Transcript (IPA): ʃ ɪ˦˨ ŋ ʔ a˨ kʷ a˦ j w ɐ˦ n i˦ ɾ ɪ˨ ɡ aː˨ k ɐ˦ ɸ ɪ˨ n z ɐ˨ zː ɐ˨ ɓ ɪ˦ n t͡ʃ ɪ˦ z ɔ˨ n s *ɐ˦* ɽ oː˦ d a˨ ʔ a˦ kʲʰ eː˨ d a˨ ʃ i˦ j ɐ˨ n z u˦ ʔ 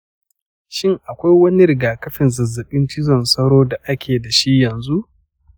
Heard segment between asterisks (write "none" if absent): ɐ˦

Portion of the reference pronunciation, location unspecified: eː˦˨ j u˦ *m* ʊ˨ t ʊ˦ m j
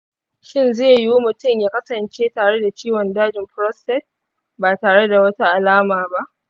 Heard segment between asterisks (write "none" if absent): m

